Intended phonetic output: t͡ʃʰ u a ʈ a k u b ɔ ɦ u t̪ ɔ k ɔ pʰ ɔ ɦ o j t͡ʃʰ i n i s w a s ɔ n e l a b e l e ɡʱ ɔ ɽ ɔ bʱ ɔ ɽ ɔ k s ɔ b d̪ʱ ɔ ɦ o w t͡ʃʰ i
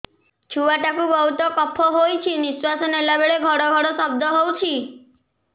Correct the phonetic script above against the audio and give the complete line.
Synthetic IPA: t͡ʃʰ u a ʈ a k u b ɔ ɦ u t̪ ɔ k ɔ pʰ ɔ ɦ o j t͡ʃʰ i n i s w a s ɔ n e l a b e ɭ e ɡʱ ɔ ɽ ɔ ɡʱ ɔ ɽ ɔ s ɔ b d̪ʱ ɔ ɦ o w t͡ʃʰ i

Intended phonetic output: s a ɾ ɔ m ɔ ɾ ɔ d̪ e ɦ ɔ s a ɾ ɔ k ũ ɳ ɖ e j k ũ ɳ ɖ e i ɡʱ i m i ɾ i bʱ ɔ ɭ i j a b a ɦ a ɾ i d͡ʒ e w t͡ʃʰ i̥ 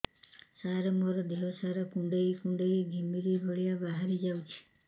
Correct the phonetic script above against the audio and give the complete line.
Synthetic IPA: s a ɾ ɔ m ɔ ɾ ɔ d̪ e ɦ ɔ s a ɾ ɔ k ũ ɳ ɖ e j k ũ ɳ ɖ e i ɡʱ i m i ɾ i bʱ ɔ ɭ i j a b a ɦ a ɾ i d͡ʒ a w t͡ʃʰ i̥

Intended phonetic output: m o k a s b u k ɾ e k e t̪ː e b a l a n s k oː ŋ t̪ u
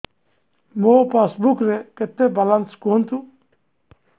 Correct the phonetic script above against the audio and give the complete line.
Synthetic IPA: m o p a s b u k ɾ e k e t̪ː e b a l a n s k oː n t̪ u

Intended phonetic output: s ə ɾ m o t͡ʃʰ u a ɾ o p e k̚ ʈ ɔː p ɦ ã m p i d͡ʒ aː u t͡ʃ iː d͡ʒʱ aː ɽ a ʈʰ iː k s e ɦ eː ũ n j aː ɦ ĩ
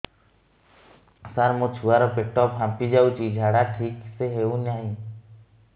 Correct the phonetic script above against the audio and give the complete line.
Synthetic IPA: s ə ɾ m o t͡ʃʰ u a ɾ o p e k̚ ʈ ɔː p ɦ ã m p i d͡ʒ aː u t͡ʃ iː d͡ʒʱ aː ɽ a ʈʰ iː k s e ɦ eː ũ n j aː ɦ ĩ

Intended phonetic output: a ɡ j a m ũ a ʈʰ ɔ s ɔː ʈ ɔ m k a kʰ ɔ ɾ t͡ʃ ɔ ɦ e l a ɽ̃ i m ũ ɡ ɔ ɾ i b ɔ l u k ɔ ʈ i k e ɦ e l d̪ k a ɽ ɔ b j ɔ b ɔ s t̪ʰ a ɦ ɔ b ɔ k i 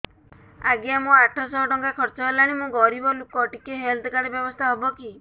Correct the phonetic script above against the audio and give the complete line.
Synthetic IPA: a ɡ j a m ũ a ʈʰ ɔ s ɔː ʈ ɔ ŋ k a kʰ ɔ ɾ t͡ʃ ɔ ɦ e l a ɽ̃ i m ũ ɡ ɔ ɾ i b ɔ l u k ɔ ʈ i k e ɦ e l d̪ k a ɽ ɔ b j ɔ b ɔ s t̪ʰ a ɦ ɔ b ɔ k i

